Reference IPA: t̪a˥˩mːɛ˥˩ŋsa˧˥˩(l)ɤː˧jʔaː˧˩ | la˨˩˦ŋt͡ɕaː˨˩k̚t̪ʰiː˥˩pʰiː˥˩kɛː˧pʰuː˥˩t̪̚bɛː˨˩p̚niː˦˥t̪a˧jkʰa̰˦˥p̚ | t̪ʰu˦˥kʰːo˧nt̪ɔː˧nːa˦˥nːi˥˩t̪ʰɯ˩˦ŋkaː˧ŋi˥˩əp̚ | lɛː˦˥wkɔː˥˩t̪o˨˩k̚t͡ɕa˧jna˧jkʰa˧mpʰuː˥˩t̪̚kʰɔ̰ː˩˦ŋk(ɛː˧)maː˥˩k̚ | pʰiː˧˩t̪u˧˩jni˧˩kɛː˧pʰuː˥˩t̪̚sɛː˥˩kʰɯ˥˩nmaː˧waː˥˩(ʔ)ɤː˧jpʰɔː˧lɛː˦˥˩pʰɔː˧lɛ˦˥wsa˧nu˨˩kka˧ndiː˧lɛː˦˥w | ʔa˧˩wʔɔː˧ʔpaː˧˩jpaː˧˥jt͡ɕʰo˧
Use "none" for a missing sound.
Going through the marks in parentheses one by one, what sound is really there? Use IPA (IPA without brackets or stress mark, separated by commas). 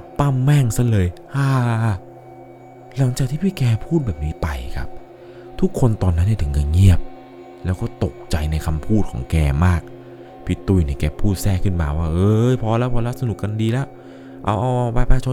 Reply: l, ɛː˧, ʔ